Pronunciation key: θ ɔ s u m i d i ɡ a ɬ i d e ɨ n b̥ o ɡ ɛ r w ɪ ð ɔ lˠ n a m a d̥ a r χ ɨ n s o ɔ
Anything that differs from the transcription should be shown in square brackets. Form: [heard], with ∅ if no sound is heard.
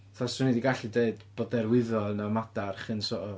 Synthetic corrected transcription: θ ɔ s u [n] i d i ɡ a ɬ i d e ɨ [d] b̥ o [d] ɛ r w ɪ ð ɔ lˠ n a m a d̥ a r χ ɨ n s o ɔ

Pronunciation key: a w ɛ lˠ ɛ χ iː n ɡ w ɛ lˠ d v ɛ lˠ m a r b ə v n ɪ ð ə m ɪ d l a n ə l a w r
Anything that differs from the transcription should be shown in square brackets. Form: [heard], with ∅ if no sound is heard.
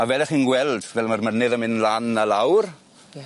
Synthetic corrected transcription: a [v] ɛ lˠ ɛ χ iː n ɡ w ɛ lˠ d v ɛ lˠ m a r [m] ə [∅] n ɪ ð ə m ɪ [n] l a n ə l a w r

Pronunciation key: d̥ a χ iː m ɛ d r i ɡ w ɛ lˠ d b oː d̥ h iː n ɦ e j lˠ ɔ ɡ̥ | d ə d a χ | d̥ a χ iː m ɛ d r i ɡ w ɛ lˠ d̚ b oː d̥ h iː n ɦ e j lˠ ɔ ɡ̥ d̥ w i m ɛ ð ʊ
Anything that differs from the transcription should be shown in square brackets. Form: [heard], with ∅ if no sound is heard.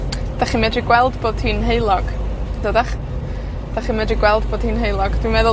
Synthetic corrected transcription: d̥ a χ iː m ɛ d r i ɡ w ɛ lˠ d b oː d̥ h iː n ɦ e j lˠ ɔ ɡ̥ | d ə d a χ | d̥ a χ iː m ɛ d r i ɡ w ɛ lˠ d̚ b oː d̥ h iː n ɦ e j lˠ ɔ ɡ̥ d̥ w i m ɛ ð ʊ

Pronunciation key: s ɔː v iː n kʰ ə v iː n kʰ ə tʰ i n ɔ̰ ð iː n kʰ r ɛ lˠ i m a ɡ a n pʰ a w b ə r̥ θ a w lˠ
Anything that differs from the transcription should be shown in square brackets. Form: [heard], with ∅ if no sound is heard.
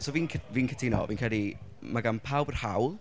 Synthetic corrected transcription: s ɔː v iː n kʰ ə v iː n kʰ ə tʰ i n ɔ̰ [v] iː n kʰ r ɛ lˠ i m a ɡ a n pʰ a w b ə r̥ [h] a w lˠ

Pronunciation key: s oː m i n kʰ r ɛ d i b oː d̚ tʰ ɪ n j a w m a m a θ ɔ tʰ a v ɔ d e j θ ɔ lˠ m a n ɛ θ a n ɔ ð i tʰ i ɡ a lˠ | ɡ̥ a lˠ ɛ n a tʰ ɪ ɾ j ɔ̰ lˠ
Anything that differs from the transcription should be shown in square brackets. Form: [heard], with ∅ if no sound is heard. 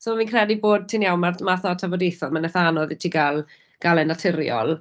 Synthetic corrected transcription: s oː m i n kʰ r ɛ d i b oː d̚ tʰ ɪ n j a w m a m a θ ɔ tʰ a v ɔ d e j θ ɔ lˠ m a n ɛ θ a n ɔ ð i tʰ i ɡ a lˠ | ɡ̥ a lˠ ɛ n a tʰ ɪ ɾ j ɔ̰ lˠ

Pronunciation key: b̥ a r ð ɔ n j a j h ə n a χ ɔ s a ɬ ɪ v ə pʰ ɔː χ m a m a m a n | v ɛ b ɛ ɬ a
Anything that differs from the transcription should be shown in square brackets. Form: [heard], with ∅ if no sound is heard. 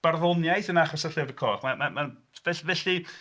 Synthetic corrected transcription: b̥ a r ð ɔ n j a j [θ] ə n a χ ɔ s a ɬ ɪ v ə [kʰ] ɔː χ m a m a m a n | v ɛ [v] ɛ ɬ [i]

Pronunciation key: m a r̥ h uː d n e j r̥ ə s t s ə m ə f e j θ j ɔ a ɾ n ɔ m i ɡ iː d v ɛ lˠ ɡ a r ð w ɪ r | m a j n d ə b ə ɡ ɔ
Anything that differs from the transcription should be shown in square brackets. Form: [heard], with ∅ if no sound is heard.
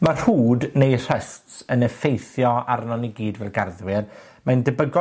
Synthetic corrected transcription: m a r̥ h uː d n e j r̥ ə s t s ə [n] ə f e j θ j ɔ a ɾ n ɔ [n] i ɡ iː d v ɛ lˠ ɡ a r ð w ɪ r | m a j n d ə b ə ɡ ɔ

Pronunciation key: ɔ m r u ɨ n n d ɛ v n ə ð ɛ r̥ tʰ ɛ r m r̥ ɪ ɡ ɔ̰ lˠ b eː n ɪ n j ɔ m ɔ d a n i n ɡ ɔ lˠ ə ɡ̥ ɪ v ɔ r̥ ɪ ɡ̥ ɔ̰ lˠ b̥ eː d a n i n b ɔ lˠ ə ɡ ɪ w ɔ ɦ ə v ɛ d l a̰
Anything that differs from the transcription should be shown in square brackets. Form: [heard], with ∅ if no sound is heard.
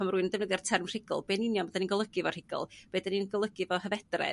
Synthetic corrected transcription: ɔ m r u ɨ n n d ɛ v n ə ð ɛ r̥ tʰ ɛ r m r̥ ɪ ɡ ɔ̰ lˠ b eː n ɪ n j ɔ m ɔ d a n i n ɡ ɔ lˠ ə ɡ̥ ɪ v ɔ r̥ ɪ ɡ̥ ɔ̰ lˠ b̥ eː d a n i n [ɡ] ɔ lˠ ə ɡ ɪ [v] ɔ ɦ ə v ɛ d [r] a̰

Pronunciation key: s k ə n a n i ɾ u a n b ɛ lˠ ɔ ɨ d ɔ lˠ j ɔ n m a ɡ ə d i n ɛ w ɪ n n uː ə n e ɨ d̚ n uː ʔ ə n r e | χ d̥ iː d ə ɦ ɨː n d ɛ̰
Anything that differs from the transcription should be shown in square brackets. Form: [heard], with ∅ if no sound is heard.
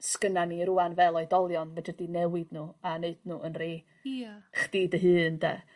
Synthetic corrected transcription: s k ə n a n i ɾ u a n [v] ɛ lˠ ɔ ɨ d ɔ lˠ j ɔ n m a [d] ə d i n ɛ w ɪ [d] n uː [a] n e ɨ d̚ n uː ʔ ə n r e | χ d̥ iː d ə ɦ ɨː n d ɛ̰

